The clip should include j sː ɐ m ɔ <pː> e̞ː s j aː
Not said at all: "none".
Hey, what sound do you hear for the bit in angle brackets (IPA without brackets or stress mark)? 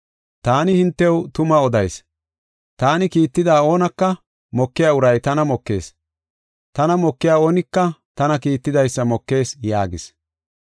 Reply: kː